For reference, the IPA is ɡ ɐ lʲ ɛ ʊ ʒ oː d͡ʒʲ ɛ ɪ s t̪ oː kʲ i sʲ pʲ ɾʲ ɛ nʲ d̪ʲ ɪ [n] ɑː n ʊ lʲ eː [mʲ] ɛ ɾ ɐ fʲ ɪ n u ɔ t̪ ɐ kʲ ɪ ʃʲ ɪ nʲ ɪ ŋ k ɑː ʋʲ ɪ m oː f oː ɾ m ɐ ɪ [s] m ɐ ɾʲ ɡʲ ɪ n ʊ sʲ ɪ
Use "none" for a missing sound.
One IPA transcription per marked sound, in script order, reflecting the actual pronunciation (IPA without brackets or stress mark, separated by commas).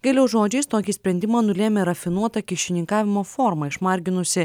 m, mʲ, ʃ